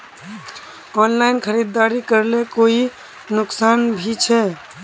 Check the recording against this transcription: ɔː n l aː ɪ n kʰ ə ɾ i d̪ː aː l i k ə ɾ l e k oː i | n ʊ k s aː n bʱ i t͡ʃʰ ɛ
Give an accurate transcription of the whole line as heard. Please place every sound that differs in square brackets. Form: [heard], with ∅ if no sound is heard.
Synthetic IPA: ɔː n l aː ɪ n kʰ ə ɾ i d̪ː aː [ɾ] i k ə ɾ l e k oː i | n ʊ k s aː n bʱ i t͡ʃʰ ɛ